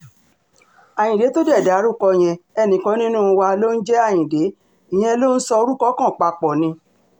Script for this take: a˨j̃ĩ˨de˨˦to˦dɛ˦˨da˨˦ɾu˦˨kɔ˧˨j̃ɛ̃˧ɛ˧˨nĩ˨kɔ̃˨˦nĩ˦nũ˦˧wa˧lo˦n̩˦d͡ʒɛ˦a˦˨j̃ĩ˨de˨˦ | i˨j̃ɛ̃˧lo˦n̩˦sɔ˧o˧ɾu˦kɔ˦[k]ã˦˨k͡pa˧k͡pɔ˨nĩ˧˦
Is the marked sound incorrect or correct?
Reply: correct